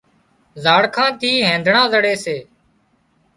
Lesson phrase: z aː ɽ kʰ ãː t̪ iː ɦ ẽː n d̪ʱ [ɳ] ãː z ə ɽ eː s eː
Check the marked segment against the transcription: correct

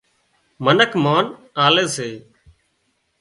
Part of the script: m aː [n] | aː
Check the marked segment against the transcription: correct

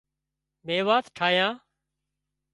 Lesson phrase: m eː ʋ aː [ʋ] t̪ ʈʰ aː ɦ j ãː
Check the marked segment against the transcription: incorrect: none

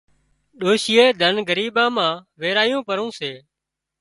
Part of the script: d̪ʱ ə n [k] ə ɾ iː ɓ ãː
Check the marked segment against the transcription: incorrect: ɡ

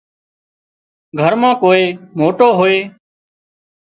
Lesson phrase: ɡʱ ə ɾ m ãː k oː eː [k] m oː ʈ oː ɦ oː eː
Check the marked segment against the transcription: incorrect: none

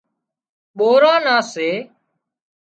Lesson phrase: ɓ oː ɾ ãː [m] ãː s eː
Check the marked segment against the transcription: incorrect: n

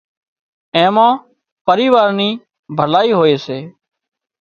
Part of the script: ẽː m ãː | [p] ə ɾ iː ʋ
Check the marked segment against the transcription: correct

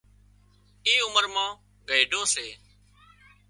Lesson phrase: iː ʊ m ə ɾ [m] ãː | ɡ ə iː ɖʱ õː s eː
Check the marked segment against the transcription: correct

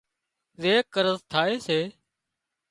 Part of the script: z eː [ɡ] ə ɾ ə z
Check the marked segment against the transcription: incorrect: k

